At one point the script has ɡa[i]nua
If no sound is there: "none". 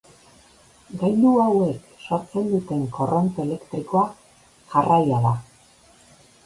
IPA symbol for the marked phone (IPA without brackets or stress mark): j